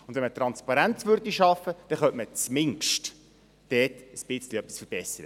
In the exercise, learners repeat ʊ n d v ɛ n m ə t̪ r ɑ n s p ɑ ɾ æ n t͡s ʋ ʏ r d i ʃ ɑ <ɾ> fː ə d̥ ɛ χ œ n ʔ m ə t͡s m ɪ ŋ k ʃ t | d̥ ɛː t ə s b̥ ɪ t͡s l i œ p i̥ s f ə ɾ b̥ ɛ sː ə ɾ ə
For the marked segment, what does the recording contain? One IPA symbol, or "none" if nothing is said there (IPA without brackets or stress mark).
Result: none